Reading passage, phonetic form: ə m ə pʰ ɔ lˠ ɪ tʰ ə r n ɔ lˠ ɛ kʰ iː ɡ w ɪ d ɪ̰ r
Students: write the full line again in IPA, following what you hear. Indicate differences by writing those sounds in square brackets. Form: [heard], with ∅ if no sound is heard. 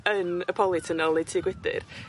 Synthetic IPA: ə [n] ə pʰ ɔ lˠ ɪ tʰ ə [∅] n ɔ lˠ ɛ [tʰ] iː ɡ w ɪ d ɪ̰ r